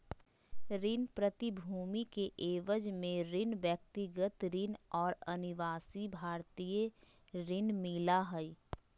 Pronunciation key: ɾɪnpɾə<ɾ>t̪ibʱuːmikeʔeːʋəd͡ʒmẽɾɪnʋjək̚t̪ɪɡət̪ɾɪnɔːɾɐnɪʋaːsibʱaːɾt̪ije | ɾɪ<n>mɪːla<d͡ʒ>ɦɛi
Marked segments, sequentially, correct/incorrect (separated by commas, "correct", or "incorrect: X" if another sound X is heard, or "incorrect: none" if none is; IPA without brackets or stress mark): incorrect: none, correct, incorrect: none